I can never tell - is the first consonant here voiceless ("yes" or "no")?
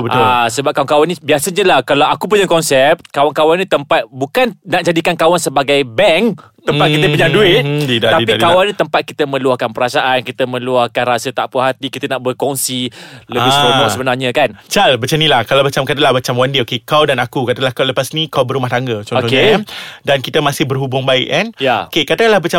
no